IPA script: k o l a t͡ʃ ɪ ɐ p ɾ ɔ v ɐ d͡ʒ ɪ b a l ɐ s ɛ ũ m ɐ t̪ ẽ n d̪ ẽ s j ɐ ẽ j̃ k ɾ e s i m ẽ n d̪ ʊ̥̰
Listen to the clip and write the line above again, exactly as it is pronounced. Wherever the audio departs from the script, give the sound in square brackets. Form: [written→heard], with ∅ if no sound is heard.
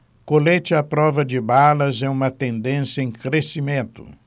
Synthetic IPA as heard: k o l [a→e] t͡ʃ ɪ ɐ p ɾ ɔ v ɐ d͡ʒ ɪ b a l ɐ [s→z] ɛ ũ m ɐ t̪ ẽ n d̪ ẽ s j ɐ ẽ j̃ k ɾ e s i m ẽ n [d̪→t̪] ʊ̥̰

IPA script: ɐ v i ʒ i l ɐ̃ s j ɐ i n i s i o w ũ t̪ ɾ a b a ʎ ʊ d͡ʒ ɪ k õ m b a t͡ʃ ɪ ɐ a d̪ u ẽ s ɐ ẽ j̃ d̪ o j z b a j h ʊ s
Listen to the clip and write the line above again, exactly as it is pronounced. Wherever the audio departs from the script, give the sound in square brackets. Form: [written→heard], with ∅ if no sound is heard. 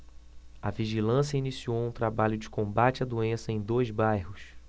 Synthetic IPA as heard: ɐ v i ʒ i l ɐ̃ s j ɐ i n i s i o w ũ t̪ ɾ a b a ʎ ʊ d͡ʒ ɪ k õ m b a t͡ʃ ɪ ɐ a d̪ u ẽ s ɐ ẽ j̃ d̪ o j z b a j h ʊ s

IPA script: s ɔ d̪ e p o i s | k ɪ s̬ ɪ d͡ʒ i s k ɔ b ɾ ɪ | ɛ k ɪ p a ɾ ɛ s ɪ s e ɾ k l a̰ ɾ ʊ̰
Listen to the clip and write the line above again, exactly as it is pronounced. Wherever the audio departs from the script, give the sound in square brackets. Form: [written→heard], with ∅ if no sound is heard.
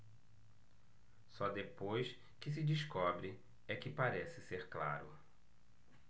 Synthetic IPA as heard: s ɔ d̪ e p o [i→j] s | k ɪ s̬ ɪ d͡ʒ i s k ɔ b ɾ ɪ | ɛ k ɪ p a ɾ ɛ s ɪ s e ɾ k l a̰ ɾ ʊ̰

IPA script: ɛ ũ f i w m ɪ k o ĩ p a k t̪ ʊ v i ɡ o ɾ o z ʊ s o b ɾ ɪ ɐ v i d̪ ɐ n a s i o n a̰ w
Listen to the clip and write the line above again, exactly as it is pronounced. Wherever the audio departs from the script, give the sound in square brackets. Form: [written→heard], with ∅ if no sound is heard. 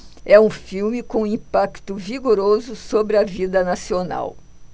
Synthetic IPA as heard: ɛ ũ f i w m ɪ k [o→õ] ĩ p a k t̪ ʊ v i ɡ o ɾ o z ʊ s o b ɾ ɪ ɐ v i d̪ ɐ n a s i o n a̰ w

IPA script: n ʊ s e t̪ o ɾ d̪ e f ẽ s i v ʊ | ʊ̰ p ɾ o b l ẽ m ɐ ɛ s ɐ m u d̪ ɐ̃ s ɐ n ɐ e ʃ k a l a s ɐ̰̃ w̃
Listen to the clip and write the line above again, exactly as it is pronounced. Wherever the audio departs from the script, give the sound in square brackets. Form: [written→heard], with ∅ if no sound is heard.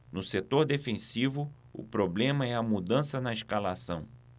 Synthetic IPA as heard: n ʊ s e t̪ o ɾ d̪ e f ẽ s i v ʊ | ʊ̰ p ɾ o b l ẽ m ɐ ɛ [s→∅] ɐ m u d̪ ɐ̃ s ɐ n ɐ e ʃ k a l a s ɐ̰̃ w̃

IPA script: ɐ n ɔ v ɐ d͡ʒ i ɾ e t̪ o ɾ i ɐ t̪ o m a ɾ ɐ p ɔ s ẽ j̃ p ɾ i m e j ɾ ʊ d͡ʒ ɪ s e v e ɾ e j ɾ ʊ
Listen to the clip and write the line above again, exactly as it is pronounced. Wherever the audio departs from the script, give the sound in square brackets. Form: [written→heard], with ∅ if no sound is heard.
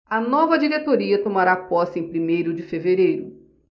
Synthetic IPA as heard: ɐ n ɔ v ɐ d͡ʒ i ɾ e t̪ o ɾ i ɐ t̪ o m a ɾ [ɐ→a] p ɔ s ẽ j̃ p ɾ i m e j ɾ ʊ d͡ʒ ɪ [s→f] e v e ɾ e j ɾ ʊ

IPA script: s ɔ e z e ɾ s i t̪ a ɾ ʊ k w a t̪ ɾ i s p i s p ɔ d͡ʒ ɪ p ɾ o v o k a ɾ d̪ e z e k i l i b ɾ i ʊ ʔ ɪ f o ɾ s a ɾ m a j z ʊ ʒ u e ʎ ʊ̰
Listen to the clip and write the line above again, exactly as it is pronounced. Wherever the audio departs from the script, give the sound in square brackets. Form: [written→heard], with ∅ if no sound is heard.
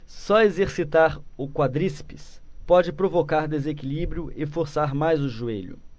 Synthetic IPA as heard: s ɔ e z e ɾ s i t̪ a ɾ ʊ k w a [t̪→d̪] ɾ i s p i s p ɔ d͡ʒ ɪ p ɾ o v o k a ɾ d̪ e z e k i l i b ɾ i ʊ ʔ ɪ f o ɾ s a ɾ m a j z ʊ ʒ u e ʎ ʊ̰

